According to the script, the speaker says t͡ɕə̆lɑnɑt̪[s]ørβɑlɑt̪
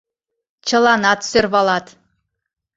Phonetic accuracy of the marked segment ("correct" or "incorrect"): correct